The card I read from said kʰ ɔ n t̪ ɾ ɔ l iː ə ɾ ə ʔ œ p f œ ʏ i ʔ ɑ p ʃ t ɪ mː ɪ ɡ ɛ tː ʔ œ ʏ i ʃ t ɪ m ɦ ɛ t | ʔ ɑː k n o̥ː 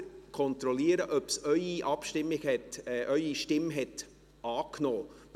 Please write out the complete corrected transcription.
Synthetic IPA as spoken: kʰ ɔ n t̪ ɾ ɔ l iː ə ɾ ə ʔ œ p s œ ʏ i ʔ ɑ p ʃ t ɪ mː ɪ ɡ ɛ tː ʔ œ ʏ i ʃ t ɪ m ɦ ɛ t | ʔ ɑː k n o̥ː